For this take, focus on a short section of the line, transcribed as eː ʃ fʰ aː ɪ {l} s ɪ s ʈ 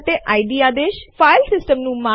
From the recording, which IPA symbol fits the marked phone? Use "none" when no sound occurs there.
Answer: l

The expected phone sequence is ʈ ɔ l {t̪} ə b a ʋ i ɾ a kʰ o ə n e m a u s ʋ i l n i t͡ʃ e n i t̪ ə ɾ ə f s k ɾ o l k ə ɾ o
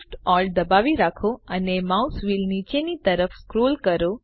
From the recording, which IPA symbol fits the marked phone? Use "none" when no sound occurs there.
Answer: d̪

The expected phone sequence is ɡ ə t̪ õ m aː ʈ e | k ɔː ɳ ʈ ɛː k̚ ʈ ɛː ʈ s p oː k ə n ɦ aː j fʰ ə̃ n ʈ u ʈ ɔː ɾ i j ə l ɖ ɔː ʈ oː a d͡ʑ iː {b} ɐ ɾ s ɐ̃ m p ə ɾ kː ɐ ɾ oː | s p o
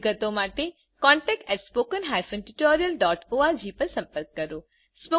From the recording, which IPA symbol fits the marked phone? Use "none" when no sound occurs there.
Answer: p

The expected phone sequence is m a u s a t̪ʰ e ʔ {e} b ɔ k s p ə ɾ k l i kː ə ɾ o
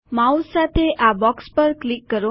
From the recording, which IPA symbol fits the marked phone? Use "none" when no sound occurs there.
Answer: a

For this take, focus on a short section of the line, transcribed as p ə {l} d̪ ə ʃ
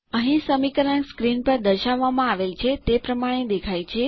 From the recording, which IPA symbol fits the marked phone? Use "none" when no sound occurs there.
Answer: ɾ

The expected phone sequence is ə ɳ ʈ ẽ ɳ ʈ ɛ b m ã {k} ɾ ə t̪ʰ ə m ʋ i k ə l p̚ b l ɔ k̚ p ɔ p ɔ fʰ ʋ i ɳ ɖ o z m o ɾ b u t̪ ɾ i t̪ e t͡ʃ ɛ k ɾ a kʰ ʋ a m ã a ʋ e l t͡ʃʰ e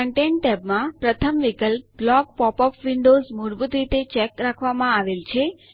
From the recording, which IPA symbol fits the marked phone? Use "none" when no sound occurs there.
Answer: p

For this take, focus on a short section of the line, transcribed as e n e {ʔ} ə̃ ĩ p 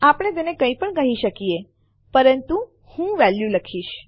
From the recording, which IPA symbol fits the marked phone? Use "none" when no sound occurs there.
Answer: k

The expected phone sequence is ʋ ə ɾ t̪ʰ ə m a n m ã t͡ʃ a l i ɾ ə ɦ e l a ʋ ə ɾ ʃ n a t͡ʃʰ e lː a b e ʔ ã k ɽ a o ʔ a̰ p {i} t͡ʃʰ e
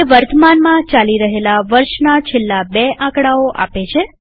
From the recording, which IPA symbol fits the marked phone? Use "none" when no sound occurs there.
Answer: e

